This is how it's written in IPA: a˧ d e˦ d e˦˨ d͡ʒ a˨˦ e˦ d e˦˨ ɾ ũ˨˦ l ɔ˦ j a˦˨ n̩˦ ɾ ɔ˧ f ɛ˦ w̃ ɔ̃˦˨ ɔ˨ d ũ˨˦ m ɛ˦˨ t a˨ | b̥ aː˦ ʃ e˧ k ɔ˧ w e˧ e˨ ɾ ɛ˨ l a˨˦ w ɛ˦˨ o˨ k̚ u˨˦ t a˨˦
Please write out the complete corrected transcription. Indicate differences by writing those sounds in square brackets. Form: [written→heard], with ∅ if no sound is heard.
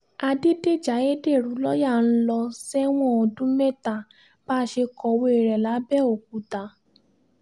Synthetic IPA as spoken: a˧ d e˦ d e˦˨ d͡ʒ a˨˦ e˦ d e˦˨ ɾ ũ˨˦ l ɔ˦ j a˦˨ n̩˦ [ɾ→l] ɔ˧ [f→s] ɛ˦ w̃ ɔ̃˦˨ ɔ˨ d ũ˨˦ m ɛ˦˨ t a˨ | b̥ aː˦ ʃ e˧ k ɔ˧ w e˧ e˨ ɾ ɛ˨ l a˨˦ [w→b] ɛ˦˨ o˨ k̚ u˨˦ t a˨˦